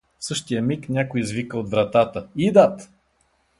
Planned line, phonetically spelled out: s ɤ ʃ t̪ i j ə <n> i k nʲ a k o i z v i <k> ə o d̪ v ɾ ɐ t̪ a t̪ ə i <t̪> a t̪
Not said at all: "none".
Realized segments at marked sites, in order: m, k, d̪

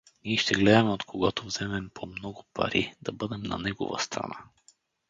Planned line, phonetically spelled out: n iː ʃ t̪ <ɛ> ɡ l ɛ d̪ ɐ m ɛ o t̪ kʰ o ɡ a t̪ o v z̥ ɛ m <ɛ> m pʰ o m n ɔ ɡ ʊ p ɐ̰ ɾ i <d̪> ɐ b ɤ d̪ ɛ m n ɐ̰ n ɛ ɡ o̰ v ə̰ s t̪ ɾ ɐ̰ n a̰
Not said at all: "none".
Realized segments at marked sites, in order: ɛ, ɛ, d̪

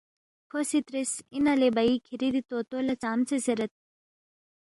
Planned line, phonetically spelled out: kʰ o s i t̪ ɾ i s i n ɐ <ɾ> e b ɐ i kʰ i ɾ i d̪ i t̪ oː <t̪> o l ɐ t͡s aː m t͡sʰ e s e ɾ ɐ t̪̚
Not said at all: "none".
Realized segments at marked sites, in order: l, t̪

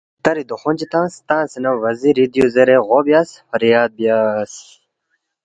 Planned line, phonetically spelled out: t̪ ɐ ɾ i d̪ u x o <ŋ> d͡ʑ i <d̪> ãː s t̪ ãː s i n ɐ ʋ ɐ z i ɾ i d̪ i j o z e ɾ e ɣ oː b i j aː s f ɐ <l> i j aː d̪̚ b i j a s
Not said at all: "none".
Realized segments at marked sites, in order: n, t̪, ɾ

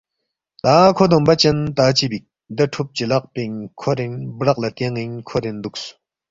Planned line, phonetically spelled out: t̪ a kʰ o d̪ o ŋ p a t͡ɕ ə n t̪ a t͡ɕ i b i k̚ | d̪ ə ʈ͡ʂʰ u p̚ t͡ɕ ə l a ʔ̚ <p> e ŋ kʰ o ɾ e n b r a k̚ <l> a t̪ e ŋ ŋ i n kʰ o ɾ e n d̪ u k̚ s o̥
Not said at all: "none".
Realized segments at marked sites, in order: p, l

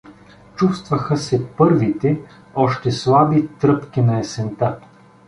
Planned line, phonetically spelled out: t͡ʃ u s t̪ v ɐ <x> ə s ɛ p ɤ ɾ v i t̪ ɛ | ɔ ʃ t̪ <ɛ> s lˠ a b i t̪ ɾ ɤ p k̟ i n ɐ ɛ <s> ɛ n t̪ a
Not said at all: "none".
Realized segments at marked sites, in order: x, ɛ, s

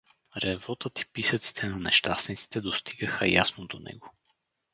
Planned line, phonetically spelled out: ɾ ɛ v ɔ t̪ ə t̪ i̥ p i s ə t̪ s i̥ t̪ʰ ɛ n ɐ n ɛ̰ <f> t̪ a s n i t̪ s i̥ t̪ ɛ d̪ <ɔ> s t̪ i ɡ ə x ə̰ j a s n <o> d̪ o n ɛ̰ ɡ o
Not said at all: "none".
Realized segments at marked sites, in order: ʃ, o, o

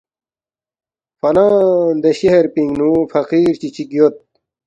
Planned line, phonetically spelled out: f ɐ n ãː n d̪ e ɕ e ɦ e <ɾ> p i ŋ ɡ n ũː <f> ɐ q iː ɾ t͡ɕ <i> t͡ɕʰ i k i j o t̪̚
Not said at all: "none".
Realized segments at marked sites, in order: ɾ, f, i

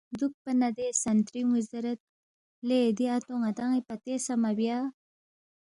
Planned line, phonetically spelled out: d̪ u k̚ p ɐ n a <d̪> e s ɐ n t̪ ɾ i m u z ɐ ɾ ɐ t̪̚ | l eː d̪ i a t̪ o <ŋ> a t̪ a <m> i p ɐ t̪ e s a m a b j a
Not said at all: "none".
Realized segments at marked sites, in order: d̪, ŋ, ŋ

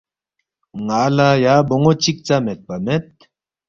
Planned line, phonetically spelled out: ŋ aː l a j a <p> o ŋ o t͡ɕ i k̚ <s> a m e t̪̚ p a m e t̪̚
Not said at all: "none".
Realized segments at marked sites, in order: b, t͡s

